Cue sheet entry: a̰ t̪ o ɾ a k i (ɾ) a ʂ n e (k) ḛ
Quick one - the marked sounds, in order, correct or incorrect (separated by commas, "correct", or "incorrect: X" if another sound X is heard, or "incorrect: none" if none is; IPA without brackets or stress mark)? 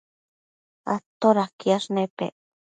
incorrect: none, incorrect: p